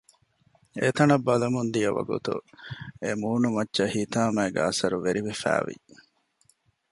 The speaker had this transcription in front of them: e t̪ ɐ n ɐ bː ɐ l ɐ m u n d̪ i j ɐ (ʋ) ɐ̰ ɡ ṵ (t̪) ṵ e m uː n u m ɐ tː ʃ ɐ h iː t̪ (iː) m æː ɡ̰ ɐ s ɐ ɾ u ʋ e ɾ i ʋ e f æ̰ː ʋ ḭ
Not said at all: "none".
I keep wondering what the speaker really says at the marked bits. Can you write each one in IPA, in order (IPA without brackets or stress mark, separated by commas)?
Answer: ʋ, t̪, aː